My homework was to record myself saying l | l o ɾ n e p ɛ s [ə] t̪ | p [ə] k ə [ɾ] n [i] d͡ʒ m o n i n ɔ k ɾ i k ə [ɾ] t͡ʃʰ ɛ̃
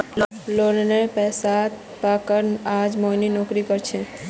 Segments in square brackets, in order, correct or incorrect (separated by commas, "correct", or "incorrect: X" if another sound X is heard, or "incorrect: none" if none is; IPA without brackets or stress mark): incorrect: a, incorrect: a, correct, incorrect: a, correct